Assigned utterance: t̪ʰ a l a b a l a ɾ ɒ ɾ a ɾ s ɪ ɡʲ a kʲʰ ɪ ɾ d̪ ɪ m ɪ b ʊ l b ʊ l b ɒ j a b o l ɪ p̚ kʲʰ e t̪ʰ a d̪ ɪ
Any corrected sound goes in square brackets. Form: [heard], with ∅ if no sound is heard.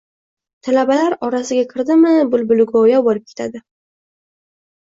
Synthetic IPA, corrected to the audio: t̪ʰ a l a b a l a ɾ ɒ ɾ a [∅] s ɪ ɡʲ a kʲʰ ɪ ɾ d̪ ɪ m ɪ b ʊ l b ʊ l [ɡ] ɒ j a b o l ɪ p̚ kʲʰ e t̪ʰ a d̪ ɪ